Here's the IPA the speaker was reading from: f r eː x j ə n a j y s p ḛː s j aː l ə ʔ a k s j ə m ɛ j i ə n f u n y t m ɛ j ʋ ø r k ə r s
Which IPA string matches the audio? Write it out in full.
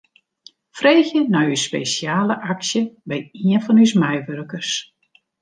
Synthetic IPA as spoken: f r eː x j ə n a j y s p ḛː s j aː l ə ʔ a k s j ə b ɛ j i ə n f ɔ n y s m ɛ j ʋ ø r k ə r s